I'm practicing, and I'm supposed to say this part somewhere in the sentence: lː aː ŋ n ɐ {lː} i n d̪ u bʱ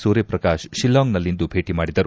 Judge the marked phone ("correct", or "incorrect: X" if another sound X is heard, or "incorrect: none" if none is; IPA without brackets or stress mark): correct